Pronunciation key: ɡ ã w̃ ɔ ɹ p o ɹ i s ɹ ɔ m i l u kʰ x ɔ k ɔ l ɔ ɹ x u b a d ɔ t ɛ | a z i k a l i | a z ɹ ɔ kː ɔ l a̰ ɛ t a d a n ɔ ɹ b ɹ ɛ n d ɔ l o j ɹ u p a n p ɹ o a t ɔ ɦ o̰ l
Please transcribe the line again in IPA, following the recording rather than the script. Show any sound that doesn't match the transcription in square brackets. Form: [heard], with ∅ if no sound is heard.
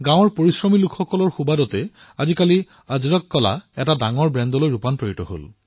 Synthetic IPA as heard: ɡ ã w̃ ɔ ɹ p o ɹ i s ɹ ɔ m i l u kʰ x ɔ k ɔ l ɔ ɹ x u b a d ɔ t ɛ | a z i k a l i | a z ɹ ɔ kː ɔ l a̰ ɛ t a d a [ŋ] ɔ ɹ b ɹ ɛ n d ɔ l o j ɹ u p a n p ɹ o [i] t ɔ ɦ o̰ l